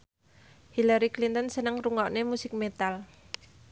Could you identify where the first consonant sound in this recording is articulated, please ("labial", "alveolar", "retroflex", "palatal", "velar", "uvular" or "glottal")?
glottal